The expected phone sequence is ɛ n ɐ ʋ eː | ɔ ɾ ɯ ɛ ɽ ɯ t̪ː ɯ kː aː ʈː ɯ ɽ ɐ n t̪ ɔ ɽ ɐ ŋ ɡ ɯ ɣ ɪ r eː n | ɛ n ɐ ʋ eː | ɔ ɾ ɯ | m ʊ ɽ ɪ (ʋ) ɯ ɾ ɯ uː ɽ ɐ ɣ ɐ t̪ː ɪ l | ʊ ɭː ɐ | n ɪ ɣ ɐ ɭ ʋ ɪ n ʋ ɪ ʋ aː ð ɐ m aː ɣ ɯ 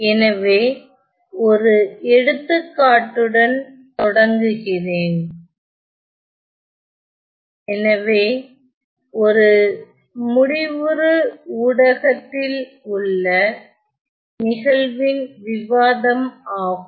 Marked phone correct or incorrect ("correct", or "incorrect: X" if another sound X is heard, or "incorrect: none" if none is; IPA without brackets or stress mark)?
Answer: correct